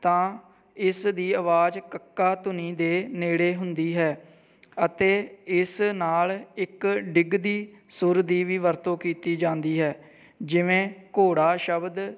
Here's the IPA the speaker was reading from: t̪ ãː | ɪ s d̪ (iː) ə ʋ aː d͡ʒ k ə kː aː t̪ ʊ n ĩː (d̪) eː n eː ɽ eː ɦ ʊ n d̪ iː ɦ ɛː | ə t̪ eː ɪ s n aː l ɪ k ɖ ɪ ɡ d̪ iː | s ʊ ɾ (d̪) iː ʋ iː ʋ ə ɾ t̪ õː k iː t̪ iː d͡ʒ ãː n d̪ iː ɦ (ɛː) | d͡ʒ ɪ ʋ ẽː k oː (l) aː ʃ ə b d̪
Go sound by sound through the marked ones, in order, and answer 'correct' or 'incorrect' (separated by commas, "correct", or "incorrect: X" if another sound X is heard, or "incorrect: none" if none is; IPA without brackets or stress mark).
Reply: correct, correct, correct, correct, incorrect: ɽ